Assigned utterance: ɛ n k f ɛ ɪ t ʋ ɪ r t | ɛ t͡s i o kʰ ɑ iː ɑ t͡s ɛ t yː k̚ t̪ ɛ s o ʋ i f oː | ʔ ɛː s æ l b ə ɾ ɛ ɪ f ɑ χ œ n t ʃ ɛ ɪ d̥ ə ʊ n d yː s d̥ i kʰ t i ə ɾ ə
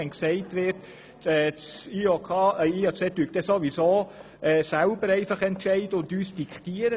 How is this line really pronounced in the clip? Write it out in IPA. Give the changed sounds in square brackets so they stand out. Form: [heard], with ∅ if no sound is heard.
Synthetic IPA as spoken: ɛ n k [s] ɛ ɪ t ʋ ɪ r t | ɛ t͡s i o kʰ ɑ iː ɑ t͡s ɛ t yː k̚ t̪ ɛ s o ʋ i [s] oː | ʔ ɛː s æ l b ə ɾ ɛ ɪ f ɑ χ [ɛ] n t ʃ ɛ ɪ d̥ ə ʊ n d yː s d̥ i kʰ t i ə ɾ ə